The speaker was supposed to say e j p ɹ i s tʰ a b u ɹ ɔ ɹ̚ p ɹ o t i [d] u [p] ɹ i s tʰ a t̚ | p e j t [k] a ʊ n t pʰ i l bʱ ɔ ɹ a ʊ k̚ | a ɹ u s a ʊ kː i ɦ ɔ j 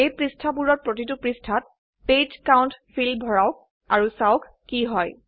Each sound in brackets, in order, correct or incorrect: incorrect: t, correct, correct

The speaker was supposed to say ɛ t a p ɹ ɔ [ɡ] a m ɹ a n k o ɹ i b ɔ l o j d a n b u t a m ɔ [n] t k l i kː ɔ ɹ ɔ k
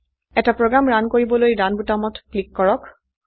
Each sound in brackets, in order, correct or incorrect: correct, incorrect: none

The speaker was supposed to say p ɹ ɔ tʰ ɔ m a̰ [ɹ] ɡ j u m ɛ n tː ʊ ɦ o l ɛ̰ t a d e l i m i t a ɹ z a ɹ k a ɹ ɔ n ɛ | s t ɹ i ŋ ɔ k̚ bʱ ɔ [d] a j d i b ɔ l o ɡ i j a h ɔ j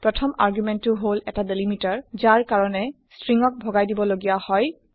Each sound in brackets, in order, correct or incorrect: correct, incorrect: ɡ

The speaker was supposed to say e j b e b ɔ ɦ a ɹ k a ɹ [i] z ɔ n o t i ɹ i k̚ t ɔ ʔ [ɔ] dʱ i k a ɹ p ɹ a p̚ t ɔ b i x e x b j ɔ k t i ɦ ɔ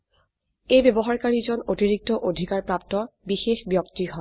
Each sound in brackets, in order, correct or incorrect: correct, incorrect: o

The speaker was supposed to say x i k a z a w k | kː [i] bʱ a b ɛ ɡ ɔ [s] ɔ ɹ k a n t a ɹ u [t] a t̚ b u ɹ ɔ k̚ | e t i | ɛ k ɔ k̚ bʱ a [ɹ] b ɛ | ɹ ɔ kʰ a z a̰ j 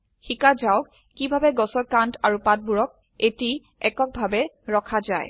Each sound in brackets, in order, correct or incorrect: correct, correct, incorrect: p, incorrect: none

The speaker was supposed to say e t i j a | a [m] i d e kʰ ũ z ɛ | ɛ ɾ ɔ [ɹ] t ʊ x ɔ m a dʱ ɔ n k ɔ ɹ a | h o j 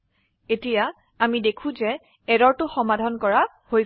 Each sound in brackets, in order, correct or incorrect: correct, correct

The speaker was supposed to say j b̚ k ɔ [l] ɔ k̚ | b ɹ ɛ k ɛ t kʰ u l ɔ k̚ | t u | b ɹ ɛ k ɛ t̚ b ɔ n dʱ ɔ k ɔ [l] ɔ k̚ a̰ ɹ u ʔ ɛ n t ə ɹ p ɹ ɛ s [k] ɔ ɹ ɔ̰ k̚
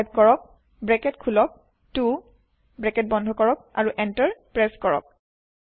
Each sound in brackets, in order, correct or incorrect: incorrect: ɹ, incorrect: ɹ, correct

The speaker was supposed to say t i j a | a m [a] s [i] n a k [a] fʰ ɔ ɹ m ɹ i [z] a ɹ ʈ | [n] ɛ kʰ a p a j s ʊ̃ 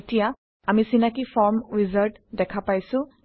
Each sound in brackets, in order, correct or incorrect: incorrect: i, correct, incorrect: i, correct, incorrect: d

